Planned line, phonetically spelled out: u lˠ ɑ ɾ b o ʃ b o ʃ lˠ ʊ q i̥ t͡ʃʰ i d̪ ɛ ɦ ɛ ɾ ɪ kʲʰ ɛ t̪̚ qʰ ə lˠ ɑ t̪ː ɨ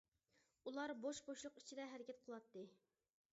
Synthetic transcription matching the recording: u lˠ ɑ ɾ b o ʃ b o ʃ lˠ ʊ q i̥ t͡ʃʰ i d̪ ɛ ɦ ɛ ɾ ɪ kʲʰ ɛ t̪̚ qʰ ə lˠ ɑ t̪ː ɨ